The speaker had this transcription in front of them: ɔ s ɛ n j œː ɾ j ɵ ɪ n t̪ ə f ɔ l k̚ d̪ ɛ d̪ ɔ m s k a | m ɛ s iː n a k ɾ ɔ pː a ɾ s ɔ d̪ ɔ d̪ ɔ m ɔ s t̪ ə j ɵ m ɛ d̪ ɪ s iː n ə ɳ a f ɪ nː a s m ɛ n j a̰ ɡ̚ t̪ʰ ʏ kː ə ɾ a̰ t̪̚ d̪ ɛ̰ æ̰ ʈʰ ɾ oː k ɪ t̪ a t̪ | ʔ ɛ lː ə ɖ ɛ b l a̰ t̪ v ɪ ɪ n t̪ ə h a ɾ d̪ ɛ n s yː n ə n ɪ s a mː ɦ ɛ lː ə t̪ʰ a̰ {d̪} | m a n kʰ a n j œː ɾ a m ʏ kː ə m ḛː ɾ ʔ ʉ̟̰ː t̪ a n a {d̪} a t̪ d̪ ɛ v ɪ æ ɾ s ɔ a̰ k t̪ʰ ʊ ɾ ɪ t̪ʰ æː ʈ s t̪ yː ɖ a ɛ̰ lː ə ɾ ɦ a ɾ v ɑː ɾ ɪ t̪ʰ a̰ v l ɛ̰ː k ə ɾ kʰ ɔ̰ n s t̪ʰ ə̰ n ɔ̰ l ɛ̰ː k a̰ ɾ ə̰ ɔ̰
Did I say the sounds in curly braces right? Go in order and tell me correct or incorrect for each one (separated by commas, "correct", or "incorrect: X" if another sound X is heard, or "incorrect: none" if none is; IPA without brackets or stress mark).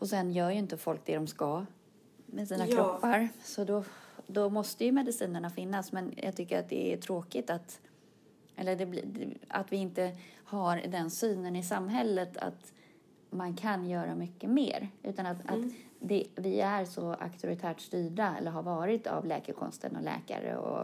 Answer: incorrect: t̪, incorrect: t̪